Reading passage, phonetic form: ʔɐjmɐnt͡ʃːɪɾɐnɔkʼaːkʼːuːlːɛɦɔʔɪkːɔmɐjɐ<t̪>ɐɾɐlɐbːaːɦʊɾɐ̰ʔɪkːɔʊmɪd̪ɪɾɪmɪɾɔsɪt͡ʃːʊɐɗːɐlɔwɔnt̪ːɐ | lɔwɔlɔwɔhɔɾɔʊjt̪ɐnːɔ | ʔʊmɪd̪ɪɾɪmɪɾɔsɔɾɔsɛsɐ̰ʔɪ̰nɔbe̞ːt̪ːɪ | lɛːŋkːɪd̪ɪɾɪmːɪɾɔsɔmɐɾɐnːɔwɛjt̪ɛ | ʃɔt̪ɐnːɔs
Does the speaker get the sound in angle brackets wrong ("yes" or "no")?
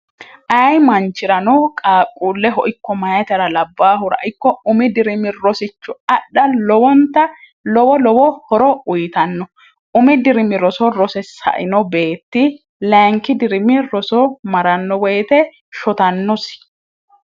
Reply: no